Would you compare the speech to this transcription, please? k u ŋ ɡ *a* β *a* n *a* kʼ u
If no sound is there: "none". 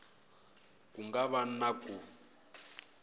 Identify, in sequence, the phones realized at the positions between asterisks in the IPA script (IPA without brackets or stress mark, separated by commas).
a, a, a